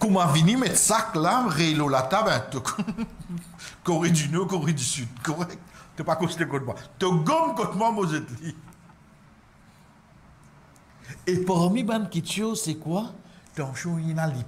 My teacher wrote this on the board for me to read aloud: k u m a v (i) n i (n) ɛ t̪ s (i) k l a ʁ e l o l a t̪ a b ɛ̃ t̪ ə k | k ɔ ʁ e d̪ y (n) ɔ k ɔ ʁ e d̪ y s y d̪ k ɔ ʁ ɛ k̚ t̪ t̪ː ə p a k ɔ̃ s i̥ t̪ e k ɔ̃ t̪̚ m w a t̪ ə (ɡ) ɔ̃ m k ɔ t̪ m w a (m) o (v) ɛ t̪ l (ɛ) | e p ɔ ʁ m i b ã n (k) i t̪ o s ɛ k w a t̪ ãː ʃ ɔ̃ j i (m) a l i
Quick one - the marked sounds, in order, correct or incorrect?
correct, incorrect, incorrect, correct, correct, correct, incorrect, incorrect, correct, incorrect

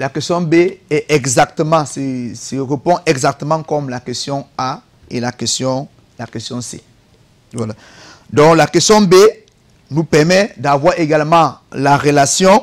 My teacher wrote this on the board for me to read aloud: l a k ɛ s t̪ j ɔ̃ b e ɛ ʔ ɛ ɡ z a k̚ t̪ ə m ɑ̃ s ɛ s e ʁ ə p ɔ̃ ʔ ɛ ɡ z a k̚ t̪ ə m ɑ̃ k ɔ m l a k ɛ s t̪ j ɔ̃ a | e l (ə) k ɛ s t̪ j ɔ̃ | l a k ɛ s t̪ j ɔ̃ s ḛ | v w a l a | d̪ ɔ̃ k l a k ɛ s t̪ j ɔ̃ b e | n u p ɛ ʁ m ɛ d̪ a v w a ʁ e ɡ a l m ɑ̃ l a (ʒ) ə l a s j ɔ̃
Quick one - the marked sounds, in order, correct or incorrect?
incorrect, incorrect

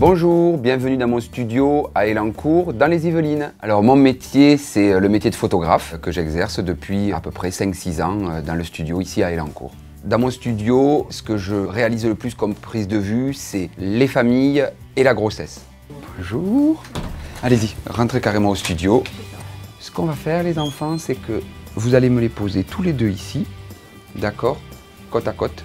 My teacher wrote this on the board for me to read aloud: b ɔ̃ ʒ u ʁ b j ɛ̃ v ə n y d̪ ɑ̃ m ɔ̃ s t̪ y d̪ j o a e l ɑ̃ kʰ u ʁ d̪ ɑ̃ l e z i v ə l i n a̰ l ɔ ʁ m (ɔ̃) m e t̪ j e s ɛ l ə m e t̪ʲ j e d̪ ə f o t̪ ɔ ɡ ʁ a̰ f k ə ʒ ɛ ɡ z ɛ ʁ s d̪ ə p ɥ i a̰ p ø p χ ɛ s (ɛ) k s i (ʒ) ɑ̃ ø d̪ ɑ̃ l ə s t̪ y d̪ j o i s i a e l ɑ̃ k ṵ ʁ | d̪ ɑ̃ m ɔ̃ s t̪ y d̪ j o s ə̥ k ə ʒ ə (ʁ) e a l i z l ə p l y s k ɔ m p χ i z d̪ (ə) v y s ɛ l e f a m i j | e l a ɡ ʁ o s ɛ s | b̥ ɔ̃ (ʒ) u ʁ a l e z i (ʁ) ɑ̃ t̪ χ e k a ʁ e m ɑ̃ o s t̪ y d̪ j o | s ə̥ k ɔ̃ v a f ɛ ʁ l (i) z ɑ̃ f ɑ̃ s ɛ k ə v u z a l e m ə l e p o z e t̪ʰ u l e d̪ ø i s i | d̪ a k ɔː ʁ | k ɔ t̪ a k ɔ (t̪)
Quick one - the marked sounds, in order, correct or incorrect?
correct, incorrect, incorrect, correct, correct, correct, correct, incorrect, correct

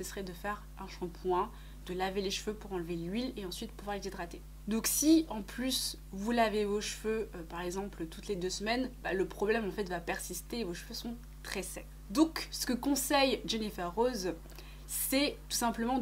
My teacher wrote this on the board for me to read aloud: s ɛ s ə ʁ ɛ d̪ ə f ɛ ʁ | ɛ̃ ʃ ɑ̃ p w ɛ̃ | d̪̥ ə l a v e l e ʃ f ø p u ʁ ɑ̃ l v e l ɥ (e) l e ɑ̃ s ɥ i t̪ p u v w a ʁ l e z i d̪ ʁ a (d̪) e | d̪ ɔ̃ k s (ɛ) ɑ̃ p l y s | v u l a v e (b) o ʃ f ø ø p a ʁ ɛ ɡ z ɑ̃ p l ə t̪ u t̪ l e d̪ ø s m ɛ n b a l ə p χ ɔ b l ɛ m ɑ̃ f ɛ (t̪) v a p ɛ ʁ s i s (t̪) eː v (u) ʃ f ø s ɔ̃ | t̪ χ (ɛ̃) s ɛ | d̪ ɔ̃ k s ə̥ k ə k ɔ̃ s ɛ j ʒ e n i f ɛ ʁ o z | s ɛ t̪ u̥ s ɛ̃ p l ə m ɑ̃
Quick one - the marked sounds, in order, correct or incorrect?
incorrect, incorrect, incorrect, incorrect, correct, correct, incorrect, incorrect

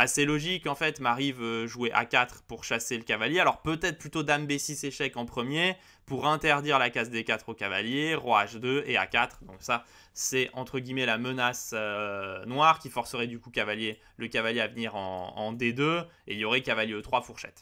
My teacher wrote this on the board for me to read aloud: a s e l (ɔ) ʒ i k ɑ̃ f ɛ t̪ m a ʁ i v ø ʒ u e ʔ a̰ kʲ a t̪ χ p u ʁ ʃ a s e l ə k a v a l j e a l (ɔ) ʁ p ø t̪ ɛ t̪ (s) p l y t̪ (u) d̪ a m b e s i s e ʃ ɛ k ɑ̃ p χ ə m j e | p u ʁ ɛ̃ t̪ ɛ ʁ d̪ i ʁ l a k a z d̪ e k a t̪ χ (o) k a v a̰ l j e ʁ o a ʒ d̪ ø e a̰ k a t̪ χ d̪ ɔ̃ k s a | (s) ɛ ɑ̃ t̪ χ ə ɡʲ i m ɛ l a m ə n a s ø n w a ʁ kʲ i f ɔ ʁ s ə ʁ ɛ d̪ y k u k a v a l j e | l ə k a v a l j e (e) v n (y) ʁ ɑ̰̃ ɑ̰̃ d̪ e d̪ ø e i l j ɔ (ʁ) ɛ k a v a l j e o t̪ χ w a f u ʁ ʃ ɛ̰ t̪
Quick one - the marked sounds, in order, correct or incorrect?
correct, correct, incorrect, incorrect, correct, correct, incorrect, incorrect, correct

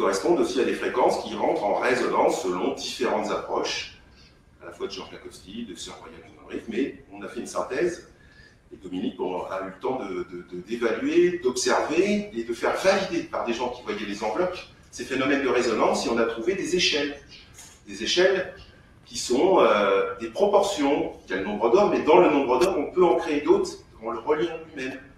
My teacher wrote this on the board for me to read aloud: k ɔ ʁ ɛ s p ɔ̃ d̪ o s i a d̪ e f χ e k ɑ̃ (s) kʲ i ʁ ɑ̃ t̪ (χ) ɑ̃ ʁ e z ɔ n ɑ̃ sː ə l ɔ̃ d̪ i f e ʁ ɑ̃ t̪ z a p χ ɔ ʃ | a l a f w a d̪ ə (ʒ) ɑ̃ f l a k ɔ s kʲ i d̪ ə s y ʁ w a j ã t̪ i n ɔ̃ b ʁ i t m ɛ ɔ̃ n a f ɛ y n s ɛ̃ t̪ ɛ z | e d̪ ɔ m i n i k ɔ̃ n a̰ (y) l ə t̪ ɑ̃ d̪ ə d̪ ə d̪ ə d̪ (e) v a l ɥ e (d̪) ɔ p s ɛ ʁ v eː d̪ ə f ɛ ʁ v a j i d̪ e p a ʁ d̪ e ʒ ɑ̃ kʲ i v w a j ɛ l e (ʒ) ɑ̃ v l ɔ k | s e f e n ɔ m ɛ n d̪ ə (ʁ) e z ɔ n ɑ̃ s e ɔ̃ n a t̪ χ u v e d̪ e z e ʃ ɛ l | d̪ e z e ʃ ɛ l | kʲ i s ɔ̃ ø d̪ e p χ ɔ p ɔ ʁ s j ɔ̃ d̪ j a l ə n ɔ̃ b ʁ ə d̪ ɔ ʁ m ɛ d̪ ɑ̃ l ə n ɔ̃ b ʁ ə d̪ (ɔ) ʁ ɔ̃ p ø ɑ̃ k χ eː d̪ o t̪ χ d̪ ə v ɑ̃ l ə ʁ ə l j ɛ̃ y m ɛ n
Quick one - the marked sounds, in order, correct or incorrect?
correct, correct, correct, correct, correct, correct, incorrect, correct, correct

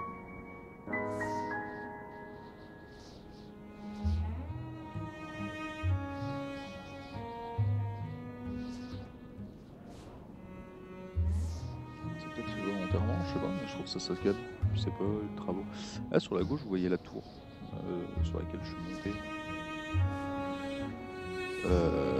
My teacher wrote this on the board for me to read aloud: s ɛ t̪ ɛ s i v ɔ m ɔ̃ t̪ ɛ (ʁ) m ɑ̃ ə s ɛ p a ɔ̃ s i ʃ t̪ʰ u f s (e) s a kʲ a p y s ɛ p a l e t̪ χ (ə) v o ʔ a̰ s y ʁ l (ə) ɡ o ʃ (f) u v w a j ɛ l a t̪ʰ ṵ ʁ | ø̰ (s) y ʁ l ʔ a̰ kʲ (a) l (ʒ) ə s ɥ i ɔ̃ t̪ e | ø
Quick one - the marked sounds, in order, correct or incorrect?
correct, incorrect, incorrect, incorrect, incorrect, correct, incorrect, correct

